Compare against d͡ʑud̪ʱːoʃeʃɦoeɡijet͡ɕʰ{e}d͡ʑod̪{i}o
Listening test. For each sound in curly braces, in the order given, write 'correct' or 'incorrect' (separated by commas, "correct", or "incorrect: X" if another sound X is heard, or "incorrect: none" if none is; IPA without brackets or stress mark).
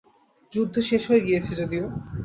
correct, correct